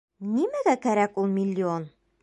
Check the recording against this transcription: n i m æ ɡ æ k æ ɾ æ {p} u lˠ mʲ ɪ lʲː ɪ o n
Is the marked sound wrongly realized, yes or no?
yes